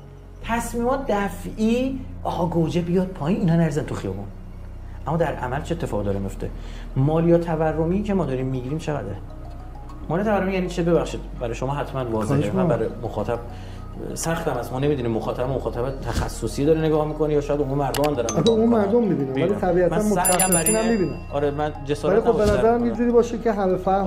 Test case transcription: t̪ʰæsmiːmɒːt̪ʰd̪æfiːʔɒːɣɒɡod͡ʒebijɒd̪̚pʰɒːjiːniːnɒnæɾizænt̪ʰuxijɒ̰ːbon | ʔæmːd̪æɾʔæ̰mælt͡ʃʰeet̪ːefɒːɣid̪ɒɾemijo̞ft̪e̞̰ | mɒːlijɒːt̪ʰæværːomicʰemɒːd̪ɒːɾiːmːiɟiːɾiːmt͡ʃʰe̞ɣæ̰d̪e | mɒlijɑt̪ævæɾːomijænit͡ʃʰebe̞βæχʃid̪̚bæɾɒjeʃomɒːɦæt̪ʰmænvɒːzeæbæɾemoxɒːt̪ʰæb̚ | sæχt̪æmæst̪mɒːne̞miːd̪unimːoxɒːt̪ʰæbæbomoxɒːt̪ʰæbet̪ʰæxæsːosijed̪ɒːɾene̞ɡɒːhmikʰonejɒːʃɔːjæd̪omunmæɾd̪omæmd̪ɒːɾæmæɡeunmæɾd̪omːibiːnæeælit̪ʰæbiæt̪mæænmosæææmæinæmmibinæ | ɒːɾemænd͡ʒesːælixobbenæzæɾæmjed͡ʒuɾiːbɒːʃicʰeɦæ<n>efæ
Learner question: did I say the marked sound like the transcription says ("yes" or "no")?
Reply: no